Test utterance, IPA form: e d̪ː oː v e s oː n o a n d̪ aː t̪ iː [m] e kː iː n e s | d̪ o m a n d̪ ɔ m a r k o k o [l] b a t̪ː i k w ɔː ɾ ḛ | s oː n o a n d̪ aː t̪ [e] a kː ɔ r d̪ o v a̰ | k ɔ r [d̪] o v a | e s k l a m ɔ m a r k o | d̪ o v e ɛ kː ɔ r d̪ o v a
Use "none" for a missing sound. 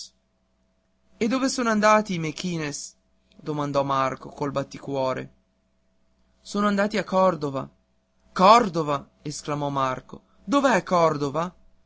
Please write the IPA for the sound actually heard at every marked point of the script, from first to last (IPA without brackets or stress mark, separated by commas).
m, l, i, d̪